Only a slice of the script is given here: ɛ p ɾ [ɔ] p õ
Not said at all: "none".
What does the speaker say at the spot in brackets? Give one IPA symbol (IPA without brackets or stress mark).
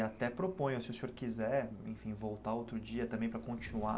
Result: o